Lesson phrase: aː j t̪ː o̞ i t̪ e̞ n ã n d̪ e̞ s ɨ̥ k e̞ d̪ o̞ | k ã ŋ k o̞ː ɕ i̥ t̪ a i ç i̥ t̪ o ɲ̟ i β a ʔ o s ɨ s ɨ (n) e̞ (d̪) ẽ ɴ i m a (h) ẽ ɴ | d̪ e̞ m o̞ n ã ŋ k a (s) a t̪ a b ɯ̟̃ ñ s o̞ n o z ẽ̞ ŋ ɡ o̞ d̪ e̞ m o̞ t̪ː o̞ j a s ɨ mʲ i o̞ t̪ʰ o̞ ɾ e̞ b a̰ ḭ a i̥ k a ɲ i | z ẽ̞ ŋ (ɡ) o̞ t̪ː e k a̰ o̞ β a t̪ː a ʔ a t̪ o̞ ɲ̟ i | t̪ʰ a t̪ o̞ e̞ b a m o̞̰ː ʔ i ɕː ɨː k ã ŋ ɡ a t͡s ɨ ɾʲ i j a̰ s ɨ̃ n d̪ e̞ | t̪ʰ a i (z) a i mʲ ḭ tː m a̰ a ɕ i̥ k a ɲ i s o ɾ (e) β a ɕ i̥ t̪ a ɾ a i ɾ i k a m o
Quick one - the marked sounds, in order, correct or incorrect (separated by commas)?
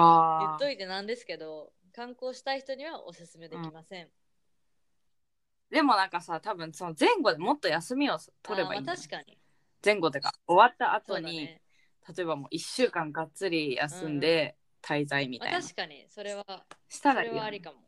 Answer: incorrect, correct, incorrect, correct, correct, correct, correct